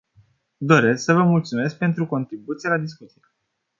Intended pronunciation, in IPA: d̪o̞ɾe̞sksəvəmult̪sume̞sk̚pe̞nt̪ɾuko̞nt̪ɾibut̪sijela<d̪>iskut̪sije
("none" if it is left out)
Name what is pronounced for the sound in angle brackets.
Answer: d̪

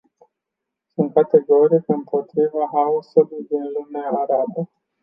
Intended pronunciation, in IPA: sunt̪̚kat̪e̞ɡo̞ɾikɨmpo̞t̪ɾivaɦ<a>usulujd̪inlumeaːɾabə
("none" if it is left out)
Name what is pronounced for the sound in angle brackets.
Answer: a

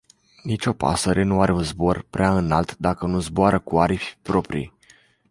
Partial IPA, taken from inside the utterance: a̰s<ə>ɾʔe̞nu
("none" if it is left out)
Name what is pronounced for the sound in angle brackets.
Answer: ə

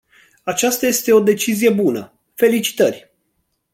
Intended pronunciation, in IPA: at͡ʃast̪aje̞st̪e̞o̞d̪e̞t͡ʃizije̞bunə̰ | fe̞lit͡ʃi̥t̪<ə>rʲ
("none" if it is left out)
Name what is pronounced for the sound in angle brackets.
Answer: ə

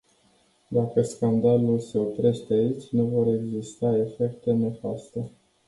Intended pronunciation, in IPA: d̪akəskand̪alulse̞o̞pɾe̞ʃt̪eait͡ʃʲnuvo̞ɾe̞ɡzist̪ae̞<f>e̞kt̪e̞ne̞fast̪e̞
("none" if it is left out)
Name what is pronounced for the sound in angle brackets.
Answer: f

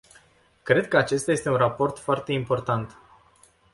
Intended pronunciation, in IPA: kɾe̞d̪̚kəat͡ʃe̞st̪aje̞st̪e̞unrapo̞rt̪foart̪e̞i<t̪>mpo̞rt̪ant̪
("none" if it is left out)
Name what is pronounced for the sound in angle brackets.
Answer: none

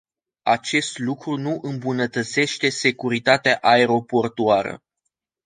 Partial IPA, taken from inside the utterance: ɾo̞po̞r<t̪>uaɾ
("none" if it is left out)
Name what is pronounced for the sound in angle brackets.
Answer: t̪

